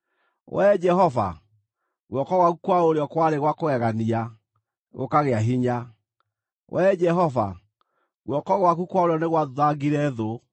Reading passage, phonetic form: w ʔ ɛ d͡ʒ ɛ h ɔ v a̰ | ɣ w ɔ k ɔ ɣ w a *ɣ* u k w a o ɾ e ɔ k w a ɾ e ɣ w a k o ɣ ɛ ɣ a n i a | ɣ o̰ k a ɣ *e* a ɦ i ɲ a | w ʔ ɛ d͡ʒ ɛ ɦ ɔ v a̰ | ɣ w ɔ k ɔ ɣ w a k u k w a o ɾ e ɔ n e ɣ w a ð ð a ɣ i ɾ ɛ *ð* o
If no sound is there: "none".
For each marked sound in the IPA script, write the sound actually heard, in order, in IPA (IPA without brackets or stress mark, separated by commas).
ɣ, e, ð